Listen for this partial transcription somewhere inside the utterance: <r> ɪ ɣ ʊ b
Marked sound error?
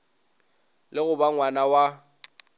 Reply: yes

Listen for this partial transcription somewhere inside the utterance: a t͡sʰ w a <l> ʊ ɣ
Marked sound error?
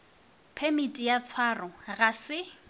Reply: yes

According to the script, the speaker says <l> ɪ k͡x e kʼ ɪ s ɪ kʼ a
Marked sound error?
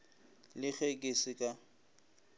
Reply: no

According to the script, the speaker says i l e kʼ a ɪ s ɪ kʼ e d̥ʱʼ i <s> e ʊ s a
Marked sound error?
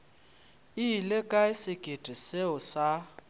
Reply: no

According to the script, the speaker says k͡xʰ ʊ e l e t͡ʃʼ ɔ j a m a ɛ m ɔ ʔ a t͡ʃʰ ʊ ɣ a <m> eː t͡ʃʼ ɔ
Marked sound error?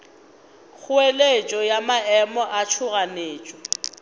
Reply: yes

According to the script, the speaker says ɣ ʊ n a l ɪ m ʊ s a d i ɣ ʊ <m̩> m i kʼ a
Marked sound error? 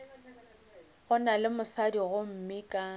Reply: no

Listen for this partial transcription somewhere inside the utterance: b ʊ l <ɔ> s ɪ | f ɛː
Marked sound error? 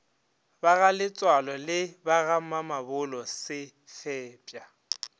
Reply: no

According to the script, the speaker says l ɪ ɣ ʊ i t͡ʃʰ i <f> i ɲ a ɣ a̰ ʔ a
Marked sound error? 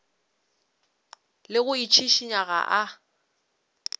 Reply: yes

